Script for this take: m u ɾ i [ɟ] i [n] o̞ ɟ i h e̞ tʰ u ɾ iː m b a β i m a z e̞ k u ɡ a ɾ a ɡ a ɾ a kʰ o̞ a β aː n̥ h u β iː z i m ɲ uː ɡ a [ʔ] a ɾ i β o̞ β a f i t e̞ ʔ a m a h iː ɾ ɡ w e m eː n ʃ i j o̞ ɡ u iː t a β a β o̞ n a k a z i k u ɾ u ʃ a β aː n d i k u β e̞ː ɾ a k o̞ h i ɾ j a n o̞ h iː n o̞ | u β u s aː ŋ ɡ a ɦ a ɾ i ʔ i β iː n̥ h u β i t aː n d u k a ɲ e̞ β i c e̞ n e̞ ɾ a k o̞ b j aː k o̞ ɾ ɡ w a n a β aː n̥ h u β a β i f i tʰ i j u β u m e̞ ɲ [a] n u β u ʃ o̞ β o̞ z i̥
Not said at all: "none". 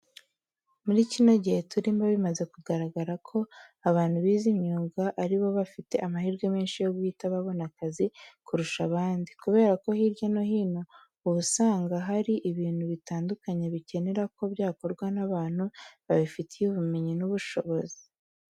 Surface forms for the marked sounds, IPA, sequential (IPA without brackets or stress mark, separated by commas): c, n, ʔ, i